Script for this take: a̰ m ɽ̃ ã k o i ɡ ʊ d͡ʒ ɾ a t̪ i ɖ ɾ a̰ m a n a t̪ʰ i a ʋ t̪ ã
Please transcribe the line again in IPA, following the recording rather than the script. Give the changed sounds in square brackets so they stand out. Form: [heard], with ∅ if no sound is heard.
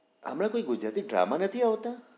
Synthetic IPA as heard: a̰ m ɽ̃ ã k o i ɡ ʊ d͡ʒ ɾ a t̪ i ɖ ɾ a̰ m a n [ə] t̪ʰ i a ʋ t̪ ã